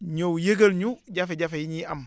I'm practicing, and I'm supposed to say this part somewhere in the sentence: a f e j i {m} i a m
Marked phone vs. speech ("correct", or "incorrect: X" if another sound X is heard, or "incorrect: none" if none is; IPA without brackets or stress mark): incorrect: ɲ